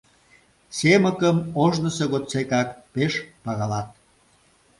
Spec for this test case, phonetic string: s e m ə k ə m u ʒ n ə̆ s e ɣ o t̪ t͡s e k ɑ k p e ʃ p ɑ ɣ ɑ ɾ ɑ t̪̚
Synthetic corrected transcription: s e m ə k ə m o ʒ n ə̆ s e ɣ o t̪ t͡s e k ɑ k p e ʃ p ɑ ɣ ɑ l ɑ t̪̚